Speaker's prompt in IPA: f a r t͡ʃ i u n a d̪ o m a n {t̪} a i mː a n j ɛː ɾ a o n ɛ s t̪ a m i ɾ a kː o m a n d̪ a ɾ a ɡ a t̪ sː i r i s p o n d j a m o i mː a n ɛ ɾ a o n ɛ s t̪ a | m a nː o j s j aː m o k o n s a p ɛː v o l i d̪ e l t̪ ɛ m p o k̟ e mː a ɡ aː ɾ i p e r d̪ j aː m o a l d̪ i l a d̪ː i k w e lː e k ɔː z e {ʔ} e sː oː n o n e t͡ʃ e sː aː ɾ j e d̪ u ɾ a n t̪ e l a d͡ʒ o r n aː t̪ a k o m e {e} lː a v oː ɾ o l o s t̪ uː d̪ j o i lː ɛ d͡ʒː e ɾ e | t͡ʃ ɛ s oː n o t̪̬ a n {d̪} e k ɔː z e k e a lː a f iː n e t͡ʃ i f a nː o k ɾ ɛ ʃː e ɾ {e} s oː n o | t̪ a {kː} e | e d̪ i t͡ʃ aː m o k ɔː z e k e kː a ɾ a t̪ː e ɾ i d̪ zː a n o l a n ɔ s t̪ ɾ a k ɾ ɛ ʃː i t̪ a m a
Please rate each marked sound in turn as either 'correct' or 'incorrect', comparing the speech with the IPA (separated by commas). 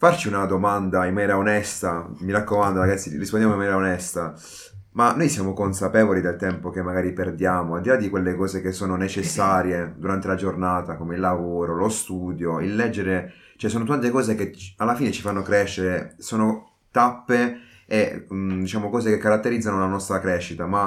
incorrect, incorrect, incorrect, incorrect, correct, incorrect